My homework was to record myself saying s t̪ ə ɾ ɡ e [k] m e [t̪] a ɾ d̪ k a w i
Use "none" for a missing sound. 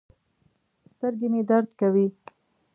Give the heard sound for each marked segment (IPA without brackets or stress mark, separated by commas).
none, d̪